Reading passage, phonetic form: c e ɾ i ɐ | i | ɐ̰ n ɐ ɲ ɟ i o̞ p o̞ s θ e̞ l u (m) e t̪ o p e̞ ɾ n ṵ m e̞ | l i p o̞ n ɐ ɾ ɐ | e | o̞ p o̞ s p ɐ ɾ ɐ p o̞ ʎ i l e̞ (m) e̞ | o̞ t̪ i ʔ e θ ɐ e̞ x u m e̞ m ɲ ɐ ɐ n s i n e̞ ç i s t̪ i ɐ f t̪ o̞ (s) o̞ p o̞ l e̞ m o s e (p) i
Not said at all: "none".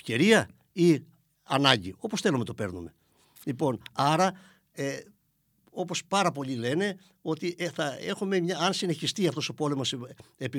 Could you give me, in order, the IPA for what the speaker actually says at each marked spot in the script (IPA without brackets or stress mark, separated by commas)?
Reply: m, n, s, p